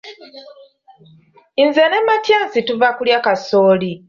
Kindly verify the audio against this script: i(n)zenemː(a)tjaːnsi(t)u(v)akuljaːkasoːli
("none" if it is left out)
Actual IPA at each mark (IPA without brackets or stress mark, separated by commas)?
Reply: n, a, t, v